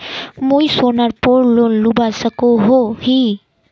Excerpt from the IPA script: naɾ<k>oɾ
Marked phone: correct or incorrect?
incorrect